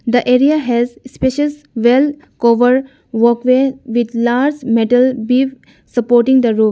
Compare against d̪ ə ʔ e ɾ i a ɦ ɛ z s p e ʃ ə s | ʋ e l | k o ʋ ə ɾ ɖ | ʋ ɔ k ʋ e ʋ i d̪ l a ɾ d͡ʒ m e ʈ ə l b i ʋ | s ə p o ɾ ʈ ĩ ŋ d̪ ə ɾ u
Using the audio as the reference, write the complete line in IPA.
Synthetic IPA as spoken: d̪ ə ʔ e ɾ i a ɦ ɛ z s p e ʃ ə s | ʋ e l | k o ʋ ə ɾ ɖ | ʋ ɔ k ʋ e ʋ i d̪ l a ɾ d͡ʒ m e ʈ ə l b i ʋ | s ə p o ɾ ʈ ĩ ŋ d̪ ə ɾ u